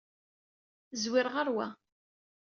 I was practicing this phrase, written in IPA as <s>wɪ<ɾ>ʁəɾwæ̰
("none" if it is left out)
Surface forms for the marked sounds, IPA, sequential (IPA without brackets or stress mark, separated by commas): z, ɾ